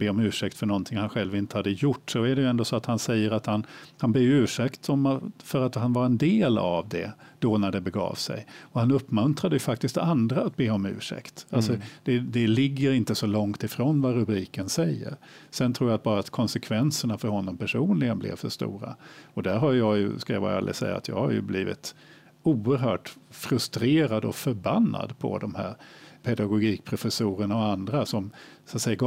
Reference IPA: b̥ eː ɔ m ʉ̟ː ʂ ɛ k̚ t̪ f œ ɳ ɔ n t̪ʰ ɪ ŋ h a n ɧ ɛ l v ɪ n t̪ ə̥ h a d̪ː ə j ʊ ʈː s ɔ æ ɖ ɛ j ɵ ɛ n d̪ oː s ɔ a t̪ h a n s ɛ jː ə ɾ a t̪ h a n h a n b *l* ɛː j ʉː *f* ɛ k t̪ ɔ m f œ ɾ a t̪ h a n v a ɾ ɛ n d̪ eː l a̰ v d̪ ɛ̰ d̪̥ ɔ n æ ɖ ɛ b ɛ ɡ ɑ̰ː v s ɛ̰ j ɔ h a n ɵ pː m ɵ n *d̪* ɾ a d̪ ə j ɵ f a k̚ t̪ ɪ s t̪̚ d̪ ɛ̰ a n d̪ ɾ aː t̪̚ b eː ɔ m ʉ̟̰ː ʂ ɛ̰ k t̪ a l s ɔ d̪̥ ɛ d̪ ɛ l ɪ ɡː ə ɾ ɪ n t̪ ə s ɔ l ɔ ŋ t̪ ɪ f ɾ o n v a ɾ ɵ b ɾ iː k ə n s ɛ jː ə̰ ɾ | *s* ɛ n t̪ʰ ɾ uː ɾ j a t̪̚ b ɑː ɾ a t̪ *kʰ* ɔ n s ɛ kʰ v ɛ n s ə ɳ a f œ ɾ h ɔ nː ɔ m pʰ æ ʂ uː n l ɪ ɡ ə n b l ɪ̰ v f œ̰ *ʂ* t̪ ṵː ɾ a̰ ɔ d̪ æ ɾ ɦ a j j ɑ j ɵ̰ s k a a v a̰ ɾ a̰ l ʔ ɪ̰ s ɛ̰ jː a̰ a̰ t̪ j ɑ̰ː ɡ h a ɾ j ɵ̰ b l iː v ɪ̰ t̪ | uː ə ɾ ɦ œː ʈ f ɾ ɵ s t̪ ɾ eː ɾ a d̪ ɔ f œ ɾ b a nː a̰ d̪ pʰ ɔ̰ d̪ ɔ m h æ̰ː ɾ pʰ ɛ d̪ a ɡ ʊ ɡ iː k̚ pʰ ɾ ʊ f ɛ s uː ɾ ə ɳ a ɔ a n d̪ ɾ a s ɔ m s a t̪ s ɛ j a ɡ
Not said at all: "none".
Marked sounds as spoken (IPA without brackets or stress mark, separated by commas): l, ʂ, t̪, s, kʰ, ʂ